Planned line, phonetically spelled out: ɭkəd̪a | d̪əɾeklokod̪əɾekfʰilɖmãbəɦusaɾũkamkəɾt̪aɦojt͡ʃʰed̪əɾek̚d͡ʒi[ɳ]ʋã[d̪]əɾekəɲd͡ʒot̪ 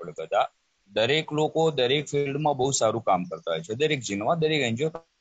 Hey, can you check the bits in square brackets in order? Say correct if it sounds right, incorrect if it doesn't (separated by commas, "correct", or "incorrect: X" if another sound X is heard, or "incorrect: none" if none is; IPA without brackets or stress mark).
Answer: incorrect: n, correct